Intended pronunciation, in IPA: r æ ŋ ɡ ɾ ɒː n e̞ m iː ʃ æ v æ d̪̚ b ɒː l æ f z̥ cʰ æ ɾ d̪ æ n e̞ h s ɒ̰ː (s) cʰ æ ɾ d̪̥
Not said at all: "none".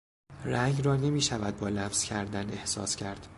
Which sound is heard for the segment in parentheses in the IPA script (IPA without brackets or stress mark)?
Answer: s